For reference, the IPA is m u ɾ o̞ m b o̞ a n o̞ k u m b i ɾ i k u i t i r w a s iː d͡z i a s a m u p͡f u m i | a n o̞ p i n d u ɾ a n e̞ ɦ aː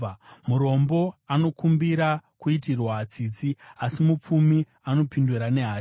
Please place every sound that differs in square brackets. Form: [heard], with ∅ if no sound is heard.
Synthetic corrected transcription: m u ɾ o̞ m b o̞ a n o̞ k u m b i ɾ [a] k u i t i r w a [t͡s] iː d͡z i a s [i] m u p͡f u m i | a n o̞ p i n d u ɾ a n e̞ ɦ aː